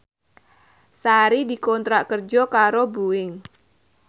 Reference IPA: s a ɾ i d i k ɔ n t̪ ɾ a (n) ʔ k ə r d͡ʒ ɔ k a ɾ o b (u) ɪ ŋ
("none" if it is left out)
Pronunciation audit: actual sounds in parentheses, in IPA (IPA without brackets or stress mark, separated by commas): none, u